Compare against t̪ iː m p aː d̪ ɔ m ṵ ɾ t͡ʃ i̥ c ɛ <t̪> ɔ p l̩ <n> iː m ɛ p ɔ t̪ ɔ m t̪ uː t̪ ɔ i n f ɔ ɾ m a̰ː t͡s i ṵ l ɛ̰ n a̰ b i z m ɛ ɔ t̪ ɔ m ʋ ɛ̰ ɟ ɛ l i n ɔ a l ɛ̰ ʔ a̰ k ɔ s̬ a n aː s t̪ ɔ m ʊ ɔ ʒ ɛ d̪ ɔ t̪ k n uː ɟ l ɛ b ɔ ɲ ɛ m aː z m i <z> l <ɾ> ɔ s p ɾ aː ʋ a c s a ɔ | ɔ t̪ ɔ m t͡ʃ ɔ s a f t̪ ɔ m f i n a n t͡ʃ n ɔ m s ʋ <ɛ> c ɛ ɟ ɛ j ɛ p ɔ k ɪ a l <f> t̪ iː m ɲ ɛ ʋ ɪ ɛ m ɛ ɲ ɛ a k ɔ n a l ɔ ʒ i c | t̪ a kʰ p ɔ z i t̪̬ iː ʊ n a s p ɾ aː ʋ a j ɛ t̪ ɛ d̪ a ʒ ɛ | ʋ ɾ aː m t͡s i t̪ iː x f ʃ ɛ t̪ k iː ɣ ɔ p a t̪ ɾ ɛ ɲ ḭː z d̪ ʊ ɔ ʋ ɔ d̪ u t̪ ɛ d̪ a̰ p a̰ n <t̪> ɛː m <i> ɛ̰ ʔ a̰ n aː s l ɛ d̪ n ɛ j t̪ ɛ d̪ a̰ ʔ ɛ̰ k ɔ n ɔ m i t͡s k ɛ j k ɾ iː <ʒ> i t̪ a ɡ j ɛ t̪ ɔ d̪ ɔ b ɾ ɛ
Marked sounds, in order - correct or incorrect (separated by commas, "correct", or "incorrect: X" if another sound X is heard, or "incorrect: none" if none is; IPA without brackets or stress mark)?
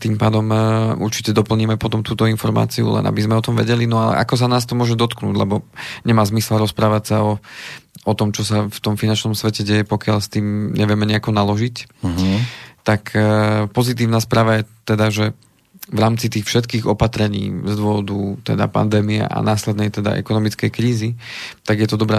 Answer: incorrect: d̪, incorrect: ɲ, incorrect: s, correct, correct, incorrect: s, incorrect: d̪, correct, incorrect: z